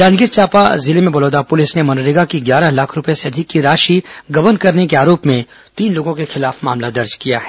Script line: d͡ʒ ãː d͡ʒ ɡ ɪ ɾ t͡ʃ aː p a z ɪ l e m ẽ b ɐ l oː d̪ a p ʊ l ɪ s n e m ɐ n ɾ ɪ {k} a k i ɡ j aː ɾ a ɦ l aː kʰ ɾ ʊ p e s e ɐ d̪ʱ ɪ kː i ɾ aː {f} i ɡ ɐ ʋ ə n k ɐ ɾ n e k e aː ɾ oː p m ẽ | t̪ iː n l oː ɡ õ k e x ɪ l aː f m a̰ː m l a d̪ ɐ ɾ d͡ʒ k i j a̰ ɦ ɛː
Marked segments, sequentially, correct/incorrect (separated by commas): incorrect, incorrect